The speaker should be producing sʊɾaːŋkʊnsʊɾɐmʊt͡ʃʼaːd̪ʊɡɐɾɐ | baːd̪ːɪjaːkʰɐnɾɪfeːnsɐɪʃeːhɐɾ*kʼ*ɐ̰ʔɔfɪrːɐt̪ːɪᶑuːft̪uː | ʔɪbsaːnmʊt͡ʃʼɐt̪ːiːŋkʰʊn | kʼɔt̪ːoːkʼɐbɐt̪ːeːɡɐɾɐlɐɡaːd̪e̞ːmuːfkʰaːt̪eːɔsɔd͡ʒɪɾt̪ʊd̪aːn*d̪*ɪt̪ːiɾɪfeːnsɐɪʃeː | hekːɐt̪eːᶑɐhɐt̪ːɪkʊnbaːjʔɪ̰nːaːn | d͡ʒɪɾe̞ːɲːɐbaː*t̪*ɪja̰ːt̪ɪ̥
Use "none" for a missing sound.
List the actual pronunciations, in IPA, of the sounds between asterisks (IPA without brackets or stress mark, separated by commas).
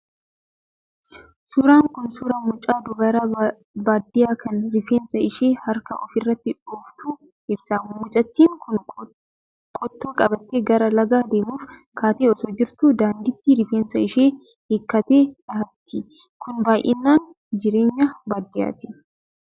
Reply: k, d̪, d̪